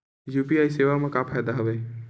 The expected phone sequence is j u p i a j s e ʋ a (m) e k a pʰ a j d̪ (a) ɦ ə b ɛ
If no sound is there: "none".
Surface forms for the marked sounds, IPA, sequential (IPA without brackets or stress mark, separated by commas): m, a